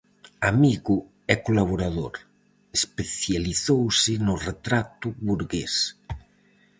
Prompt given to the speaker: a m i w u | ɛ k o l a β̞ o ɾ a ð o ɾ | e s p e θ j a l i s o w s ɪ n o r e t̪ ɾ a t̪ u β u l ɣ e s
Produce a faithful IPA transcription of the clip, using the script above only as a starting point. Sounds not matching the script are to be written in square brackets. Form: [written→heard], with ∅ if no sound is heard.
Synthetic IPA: a m i [w→ɣ] u | ɛ k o l a β̞ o ɾ a ð o ɾ | e s p e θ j a l i [s→θ] o w s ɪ n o r e t̪ ɾ a t̪ u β u [l→ɾ] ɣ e s

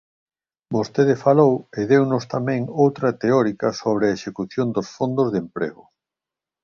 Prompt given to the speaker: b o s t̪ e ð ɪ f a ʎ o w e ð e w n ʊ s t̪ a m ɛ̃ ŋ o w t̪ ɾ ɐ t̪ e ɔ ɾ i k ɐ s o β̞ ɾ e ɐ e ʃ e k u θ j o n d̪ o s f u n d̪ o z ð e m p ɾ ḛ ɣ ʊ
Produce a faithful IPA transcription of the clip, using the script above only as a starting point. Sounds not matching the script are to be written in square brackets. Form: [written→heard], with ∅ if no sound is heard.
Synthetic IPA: b o s t̪ e ð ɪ f a [ʎ→l] o w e ð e w n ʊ s t̪ a m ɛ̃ ŋ o w t̪ ɾ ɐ t̪ e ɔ ɾ i k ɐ s o β̞ ɾ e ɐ e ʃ e k u θ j o n d̪ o s f [u→o] n d̪ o z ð e m p ɾ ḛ ɣ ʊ

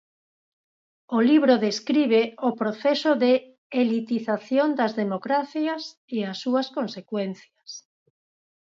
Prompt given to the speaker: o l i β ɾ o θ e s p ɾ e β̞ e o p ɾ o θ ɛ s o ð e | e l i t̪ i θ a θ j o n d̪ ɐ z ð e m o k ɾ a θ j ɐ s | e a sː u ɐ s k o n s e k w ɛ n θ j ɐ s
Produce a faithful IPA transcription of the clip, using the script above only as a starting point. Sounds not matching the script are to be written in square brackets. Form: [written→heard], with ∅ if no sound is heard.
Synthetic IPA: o l i β ɾ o [θ→ð] e s [p→k] ɾ [e→i] β̞ e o p ɾ o θ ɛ s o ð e | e l i t̪ i θ a θ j o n d̪ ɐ z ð e m o k ɾ a θ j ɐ s | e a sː u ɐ s k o n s e k w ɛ n θ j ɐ s

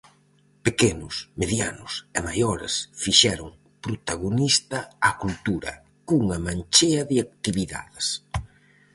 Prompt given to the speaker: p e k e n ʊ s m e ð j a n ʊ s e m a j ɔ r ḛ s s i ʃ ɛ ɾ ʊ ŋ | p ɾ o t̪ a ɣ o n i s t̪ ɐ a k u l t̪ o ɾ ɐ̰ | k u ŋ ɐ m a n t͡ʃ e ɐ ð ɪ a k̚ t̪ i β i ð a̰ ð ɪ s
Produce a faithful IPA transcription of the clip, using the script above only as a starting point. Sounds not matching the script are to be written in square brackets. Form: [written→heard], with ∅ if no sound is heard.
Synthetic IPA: p e k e n ʊ s m e ð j a n ʊ s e m a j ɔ [r→ɾ] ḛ s [s→f] i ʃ ɛ ɾ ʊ ŋ | p ɾ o t̪ a ɣ o n i s t̪ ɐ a k u l t̪ [o→u] ɾ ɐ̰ | k u ŋ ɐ m a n t͡ʃ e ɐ ð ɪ a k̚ t̪ i β i ð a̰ ð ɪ s

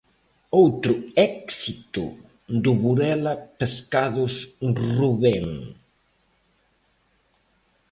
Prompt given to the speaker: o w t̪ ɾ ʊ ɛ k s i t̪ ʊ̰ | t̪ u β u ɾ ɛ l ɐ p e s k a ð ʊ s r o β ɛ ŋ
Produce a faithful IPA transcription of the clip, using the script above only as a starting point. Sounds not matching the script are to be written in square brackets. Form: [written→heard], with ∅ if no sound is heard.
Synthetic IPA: o w t̪ ɾ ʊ ɛ k s i t̪ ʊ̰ | [t̪→d̪] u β u ɾ ɛ l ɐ p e s k a ð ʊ s r [o→u] β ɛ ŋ

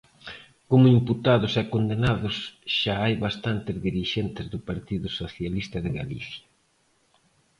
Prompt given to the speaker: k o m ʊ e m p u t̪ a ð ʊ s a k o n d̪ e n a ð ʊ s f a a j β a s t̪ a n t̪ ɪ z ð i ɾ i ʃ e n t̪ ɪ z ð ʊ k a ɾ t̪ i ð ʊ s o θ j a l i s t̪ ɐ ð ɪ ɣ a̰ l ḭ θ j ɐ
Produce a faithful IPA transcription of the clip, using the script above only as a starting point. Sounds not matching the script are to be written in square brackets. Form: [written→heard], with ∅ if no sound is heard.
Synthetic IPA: k o m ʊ [e→i] m p u t̪ a ð ʊ s [a→ɛ] k o n d̪ e n a ð ʊ s [f→ʃ] a a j β a s t̪ a n t̪ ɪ z ð i ɾ i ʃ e n t̪ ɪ z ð ʊ [k→p] a ɾ t̪ i ð ʊ s o θ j a l i s t̪ ɐ ð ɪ ɣ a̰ l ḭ θ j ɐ

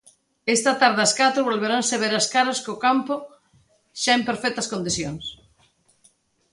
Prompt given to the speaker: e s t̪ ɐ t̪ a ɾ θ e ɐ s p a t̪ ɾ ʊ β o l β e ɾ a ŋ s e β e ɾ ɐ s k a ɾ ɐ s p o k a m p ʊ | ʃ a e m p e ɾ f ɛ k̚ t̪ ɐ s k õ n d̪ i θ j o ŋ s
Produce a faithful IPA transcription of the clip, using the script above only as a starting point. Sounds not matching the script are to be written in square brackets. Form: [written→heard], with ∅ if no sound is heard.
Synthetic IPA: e s t̪ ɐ t̪ a ɾ [θ→ð] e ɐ s [p→k] a t̪ ɾ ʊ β o l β e ɾ a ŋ s e β e ɾ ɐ s k a ɾ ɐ s [p→k] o k a m p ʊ | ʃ a e m p e ɾ f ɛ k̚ t̪ ɐ s k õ n d̪ i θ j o ŋ s

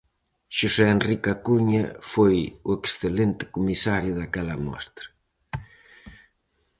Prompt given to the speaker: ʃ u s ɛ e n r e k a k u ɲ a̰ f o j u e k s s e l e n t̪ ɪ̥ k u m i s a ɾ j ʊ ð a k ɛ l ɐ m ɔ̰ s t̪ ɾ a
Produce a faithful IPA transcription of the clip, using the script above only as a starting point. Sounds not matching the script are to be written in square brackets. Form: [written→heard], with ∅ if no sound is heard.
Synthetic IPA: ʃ u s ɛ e n r [e→i] k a k u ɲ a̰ f o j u e k s [s→θ] e l e n t̪ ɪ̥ k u m i s a ɾ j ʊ ð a k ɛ l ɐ m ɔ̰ s t̪ ɾ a

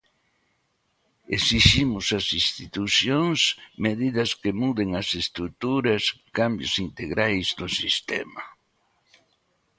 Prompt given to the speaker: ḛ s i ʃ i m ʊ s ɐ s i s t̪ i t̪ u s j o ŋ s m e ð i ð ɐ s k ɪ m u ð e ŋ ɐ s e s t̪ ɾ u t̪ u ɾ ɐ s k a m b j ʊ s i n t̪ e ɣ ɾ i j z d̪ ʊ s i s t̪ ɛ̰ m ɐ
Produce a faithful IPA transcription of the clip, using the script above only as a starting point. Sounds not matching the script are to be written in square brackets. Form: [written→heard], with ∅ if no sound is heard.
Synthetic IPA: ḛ s i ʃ i m ʊ s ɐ s i s t̪ i t̪ u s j o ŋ s m e ð i ð ɐ s k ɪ m u ð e ŋ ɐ s e s t̪ ɾ u t̪ u ɾ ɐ s k a m b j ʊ s i n t̪ e ɣ ɾ [i→a] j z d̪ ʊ s i s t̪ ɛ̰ m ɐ

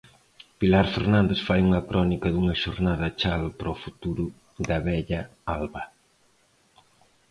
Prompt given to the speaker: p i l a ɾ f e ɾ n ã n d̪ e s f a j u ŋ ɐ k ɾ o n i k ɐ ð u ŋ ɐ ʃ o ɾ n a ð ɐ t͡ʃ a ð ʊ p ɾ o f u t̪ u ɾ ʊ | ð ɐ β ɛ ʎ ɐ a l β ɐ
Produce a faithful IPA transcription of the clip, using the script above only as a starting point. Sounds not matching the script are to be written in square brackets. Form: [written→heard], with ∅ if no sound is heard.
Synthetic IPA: p i l a ɾ f e ɾ n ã n d̪ e s f a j u ŋ ɐ k ɾ [o→ɔ] n i k ɐ ð u ŋ ɐ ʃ o ɾ n a ð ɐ t͡ʃ a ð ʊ p ɾ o f u t̪ u ɾ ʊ | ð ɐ β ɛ ʎ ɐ a l β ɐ

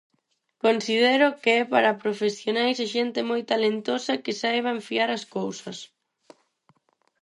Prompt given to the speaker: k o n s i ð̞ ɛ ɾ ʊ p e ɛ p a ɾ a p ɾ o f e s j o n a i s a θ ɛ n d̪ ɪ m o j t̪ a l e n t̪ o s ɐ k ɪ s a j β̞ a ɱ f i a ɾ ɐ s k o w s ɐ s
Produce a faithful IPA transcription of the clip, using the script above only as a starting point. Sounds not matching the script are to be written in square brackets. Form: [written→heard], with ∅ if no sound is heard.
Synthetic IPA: k o n s i ð̞ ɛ ɾ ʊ [p→k] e ɛ p a ɾ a p ɾ o f e s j o n a [i→j] s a [θ→ʃ] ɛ n [d̪→t̪] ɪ m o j t̪ a l e n t̪ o s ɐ k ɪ s a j β̞ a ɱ f i a ɾ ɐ s k o w s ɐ s

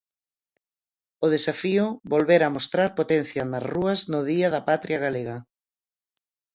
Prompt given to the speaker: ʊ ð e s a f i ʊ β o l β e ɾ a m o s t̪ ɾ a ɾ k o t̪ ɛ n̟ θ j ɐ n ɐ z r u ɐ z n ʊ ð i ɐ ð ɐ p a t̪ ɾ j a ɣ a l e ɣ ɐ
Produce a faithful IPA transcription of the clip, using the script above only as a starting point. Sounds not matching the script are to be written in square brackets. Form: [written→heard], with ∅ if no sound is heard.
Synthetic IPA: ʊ ð e s a f i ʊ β o l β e ɾ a m o s t̪ ɾ a ɾ [k→p] o t̪ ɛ n̟ θ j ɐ n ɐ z r u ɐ z n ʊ ð i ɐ ð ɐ p a t̪ ɾ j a ɣ a l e ɣ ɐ

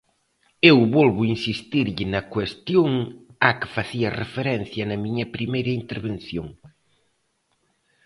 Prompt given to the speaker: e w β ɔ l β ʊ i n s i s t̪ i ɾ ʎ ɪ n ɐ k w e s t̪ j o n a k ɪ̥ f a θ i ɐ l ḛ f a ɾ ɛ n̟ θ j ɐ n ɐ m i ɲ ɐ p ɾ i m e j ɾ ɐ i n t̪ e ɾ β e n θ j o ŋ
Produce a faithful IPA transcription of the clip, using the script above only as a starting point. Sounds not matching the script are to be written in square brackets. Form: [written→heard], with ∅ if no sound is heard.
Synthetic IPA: e w β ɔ l β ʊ i n s i s t̪ i ɾ ʎ ɪ n ɐ k w e s t̪ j o [n→ŋ] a k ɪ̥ f a θ i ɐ [l→r] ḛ f [a→e] ɾ ɛ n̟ θ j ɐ n ɐ m i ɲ ɐ p ɾ i m e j ɾ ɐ i n t̪ e ɾ β e n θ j o ŋ

